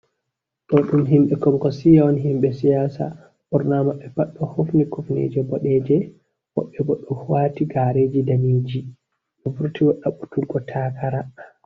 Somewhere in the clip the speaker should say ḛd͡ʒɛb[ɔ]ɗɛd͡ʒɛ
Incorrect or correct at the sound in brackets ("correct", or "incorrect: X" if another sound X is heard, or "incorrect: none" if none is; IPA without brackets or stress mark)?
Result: correct